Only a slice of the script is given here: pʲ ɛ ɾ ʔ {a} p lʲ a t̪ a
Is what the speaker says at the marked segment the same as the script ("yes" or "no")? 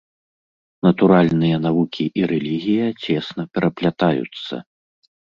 no